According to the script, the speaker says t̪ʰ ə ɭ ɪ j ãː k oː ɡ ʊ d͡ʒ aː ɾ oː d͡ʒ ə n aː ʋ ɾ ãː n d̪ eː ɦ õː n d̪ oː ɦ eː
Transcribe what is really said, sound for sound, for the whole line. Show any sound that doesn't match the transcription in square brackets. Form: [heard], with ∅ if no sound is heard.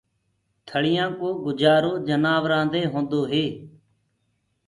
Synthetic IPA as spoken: t̪ʰ ə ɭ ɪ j ãː k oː ɡ ʊ d͡ʒ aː ɾ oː d͡ʒ ə n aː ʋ ɾ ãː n d̪ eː ɦ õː n d̪ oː ɦ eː